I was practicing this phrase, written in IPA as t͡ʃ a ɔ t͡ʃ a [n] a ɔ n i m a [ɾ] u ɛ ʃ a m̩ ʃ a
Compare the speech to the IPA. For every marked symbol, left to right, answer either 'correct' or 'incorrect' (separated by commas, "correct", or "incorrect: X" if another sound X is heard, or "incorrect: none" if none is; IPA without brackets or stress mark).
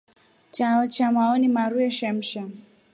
incorrect: m, correct